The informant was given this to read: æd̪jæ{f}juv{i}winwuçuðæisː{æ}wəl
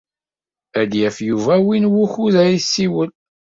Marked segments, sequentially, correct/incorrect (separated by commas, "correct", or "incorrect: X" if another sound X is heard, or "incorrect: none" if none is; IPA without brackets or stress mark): correct, incorrect: æ, incorrect: i